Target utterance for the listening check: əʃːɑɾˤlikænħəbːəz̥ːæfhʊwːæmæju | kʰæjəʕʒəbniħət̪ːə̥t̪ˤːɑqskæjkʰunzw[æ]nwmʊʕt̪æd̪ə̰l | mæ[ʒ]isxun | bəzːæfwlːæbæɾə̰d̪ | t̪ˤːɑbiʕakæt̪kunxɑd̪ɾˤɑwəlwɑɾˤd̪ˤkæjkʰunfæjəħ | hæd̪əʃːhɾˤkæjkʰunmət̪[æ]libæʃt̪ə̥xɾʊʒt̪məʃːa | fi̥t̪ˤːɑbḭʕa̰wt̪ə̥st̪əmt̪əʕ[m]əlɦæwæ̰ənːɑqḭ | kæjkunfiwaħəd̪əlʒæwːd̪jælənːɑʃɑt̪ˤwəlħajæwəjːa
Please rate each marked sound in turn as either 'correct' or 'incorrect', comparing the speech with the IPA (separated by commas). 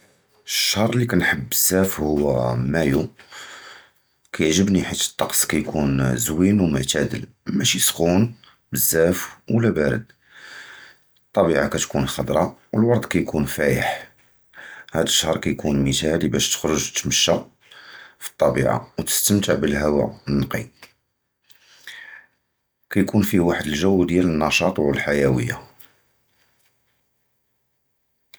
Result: incorrect, incorrect, correct, incorrect